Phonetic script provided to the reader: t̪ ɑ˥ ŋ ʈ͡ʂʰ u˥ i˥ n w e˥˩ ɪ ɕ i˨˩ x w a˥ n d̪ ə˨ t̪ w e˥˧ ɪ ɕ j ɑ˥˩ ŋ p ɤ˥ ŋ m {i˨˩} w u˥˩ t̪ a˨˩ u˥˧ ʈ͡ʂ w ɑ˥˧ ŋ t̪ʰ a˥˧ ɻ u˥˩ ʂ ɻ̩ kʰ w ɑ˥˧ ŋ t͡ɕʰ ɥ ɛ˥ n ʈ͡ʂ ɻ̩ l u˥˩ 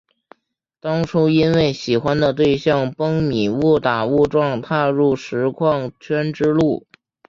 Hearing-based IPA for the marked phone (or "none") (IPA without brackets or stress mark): i˨˩